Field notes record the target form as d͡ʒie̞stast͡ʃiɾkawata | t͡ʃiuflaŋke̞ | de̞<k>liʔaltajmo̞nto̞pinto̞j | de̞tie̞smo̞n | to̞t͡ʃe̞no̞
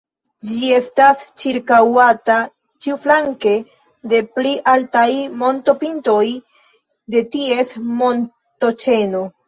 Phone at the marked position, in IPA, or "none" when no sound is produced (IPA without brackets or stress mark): p